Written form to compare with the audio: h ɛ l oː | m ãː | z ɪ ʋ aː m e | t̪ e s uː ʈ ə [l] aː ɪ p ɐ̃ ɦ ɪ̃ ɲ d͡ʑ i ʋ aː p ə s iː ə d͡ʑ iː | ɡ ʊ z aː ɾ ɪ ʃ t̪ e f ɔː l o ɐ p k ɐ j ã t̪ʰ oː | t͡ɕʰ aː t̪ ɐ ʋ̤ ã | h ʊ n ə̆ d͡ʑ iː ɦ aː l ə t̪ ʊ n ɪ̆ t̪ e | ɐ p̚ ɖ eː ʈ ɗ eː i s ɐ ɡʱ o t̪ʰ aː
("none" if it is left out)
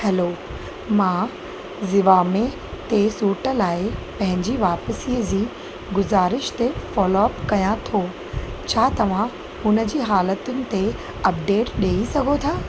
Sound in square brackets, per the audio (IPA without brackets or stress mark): l